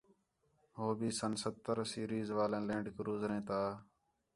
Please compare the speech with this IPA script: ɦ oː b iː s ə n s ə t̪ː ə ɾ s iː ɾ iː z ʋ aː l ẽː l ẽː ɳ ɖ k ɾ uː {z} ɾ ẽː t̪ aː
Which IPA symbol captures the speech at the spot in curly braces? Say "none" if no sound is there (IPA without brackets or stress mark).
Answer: z